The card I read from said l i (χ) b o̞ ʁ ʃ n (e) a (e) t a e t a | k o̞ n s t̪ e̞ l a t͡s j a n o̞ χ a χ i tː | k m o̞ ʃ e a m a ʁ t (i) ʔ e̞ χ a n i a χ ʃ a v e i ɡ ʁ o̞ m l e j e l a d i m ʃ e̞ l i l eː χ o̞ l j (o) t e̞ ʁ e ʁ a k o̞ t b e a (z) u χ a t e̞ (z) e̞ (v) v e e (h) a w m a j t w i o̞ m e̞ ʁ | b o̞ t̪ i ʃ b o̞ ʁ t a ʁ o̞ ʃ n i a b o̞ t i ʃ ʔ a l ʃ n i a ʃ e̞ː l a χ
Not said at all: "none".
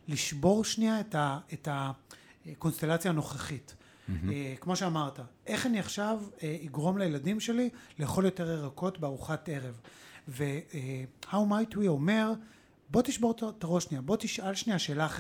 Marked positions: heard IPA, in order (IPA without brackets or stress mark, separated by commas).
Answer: ʃ, i, e, a, o, ʁ, ʁ, v, h